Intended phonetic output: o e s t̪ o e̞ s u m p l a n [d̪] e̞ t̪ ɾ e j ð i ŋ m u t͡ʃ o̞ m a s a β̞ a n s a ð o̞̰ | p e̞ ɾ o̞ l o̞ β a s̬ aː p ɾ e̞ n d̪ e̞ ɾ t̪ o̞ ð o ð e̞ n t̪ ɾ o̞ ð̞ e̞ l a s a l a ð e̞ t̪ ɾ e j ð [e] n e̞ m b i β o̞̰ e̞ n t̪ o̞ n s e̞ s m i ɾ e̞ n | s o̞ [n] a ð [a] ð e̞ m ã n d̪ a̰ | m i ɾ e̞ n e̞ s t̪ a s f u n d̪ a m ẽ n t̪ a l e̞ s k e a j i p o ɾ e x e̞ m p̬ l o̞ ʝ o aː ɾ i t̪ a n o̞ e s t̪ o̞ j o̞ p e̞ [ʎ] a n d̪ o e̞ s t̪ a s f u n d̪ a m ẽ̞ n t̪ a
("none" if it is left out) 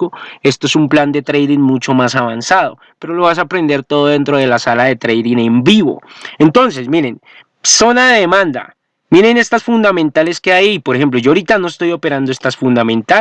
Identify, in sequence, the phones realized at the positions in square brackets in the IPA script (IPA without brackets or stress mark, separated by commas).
d̪, i, n, e, ɾ